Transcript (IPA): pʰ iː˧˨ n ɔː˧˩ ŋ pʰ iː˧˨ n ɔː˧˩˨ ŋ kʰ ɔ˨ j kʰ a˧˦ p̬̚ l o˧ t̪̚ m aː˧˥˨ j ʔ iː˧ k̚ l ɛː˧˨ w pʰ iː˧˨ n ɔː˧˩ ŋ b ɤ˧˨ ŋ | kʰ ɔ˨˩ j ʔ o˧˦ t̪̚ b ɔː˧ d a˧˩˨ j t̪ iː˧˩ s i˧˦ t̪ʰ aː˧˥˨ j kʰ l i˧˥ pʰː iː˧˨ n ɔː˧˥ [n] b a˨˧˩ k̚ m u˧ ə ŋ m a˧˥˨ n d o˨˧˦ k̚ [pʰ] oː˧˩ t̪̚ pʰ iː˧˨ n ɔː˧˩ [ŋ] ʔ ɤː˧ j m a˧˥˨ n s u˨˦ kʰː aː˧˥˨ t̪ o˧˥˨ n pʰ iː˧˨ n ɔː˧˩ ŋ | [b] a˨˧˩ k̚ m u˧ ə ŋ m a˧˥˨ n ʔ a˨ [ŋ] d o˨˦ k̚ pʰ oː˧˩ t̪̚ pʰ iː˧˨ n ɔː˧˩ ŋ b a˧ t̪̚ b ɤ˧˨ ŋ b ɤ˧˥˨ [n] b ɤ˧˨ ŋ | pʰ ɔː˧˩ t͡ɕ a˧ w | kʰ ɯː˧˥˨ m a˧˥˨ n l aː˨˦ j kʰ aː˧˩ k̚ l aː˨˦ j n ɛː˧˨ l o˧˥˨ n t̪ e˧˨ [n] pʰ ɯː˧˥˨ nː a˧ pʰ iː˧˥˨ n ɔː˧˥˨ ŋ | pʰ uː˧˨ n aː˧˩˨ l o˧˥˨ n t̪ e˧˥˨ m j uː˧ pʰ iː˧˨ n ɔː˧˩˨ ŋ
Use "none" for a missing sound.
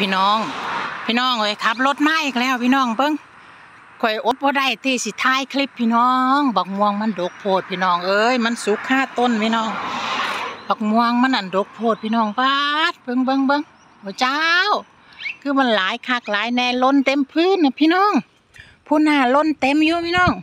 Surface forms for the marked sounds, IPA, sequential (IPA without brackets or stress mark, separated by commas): ŋ, pʰ, ŋ, b, n, ŋ, m